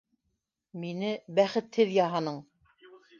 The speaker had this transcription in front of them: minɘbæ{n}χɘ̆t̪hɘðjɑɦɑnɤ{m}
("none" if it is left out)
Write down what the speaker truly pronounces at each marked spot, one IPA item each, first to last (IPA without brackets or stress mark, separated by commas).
none, ɴ